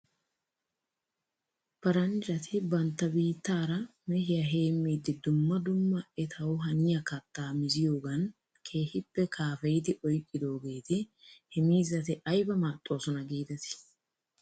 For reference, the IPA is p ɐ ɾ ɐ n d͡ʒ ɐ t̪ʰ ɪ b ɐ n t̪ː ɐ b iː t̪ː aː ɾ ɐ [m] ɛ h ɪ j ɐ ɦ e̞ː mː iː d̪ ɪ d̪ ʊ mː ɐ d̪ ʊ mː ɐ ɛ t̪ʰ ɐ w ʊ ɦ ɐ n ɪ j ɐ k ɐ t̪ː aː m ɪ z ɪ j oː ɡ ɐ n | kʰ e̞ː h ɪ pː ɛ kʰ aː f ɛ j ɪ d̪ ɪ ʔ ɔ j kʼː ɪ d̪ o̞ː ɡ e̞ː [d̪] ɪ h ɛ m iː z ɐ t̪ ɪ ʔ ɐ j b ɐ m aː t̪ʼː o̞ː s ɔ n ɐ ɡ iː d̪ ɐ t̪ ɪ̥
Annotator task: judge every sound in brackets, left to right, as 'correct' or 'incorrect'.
correct, incorrect

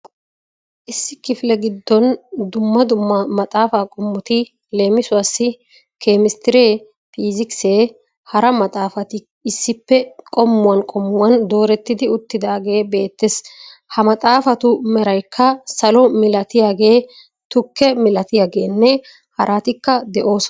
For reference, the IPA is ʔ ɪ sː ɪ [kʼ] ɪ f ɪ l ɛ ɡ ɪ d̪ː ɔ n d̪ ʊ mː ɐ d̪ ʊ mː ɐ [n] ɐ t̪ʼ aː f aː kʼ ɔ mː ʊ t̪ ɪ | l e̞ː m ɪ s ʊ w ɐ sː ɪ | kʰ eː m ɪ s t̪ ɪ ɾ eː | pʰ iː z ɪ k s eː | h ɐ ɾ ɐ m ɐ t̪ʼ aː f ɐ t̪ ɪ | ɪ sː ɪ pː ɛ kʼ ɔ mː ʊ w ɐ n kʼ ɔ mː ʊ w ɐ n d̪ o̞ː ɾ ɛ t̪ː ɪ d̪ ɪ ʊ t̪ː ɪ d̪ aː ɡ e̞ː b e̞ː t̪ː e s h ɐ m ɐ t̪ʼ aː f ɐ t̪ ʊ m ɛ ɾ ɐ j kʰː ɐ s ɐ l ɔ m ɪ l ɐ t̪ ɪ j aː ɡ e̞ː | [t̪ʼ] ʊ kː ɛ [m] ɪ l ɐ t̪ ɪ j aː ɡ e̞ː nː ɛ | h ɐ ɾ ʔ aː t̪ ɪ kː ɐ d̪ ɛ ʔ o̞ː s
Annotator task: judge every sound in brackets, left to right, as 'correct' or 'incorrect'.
incorrect, incorrect, incorrect, correct

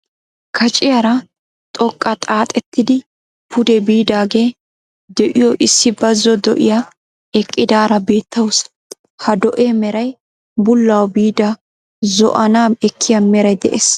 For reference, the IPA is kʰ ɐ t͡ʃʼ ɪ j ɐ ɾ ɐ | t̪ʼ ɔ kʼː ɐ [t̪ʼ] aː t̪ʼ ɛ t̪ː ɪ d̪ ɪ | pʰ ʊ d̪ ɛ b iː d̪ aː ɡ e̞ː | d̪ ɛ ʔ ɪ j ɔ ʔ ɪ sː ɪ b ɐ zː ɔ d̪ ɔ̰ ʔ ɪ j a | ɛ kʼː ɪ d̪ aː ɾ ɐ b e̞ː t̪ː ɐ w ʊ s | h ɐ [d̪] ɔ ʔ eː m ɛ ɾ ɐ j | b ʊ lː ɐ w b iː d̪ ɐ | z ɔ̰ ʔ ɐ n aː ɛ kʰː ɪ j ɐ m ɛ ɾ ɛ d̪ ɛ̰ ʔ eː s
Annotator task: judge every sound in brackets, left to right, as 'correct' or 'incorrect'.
correct, correct

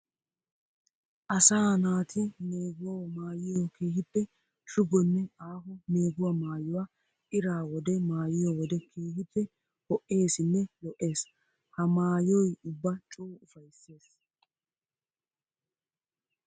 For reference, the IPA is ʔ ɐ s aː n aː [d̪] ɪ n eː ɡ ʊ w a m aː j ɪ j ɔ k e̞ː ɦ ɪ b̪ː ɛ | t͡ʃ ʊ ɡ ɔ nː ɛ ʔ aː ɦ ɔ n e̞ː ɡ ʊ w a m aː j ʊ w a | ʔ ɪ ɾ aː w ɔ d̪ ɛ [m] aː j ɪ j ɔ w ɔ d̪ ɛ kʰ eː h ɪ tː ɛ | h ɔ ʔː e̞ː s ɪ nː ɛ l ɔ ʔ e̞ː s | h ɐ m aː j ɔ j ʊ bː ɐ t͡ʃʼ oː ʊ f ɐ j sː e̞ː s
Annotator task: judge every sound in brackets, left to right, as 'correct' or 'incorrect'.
incorrect, correct

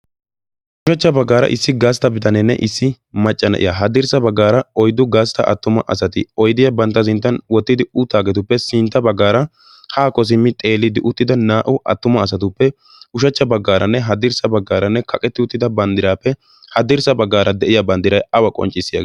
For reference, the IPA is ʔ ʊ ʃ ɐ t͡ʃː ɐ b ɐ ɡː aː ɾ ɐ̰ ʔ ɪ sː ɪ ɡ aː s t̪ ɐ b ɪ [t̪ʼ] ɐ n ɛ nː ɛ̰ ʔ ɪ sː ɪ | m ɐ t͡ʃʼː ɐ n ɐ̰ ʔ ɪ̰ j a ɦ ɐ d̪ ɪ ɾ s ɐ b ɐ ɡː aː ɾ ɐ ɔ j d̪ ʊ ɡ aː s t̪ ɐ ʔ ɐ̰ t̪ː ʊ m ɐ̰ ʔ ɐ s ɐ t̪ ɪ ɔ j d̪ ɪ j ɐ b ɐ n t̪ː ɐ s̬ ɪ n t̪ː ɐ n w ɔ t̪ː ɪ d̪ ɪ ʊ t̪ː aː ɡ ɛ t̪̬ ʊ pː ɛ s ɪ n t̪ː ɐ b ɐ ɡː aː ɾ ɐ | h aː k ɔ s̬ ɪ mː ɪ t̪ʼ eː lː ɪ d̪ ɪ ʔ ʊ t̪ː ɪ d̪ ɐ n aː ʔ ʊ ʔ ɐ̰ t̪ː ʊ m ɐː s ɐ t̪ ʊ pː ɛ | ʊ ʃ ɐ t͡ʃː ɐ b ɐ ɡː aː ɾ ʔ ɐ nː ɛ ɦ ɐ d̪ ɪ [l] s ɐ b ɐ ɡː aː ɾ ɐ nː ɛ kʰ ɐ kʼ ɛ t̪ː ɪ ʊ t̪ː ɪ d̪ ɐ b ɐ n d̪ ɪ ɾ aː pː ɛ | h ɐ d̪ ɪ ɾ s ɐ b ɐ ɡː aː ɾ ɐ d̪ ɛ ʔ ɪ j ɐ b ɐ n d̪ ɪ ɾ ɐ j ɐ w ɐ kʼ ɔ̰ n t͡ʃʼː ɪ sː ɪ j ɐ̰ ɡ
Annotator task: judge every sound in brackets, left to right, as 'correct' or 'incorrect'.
incorrect, incorrect

